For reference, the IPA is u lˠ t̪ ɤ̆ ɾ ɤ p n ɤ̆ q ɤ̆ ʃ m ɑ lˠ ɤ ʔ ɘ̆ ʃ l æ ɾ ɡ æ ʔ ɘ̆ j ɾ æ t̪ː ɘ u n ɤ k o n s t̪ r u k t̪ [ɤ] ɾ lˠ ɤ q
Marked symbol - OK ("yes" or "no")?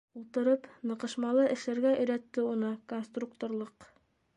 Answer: no